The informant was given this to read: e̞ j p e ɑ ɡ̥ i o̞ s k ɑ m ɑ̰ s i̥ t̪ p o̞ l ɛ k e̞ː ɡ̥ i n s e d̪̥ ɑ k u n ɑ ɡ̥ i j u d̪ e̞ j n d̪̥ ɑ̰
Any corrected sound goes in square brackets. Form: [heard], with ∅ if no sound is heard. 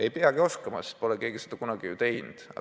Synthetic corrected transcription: e̞ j p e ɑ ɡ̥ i o̞ s k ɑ m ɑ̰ s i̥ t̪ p o̞ l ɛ k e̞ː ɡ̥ i [∅] s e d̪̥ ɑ k u n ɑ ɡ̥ i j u [t̪] e̞ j n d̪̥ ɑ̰